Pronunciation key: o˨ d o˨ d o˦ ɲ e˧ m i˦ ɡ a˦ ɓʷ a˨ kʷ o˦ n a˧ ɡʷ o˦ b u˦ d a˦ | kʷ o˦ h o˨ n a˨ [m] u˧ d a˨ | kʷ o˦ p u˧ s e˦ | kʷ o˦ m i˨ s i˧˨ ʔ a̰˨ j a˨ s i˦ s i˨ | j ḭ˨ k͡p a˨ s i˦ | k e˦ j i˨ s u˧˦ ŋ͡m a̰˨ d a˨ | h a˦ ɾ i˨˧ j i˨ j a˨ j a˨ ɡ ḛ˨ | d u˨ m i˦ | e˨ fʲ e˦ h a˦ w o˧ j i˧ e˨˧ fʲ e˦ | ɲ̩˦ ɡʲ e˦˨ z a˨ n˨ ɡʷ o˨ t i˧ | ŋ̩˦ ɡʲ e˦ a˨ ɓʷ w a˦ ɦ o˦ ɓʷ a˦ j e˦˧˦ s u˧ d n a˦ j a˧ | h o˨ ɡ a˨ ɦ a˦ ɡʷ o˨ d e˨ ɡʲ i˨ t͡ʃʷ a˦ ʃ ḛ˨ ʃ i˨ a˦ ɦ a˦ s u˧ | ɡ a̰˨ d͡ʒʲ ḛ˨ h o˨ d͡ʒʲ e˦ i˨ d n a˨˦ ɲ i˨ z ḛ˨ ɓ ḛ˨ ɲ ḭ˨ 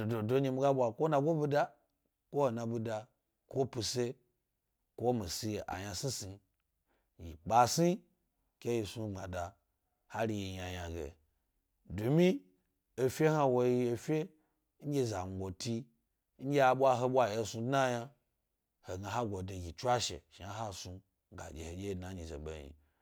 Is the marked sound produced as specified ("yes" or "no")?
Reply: no